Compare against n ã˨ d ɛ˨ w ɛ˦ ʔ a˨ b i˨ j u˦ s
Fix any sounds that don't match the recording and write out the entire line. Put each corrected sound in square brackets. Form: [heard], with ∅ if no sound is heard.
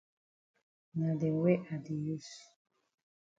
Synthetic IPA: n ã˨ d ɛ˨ w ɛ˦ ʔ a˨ [d] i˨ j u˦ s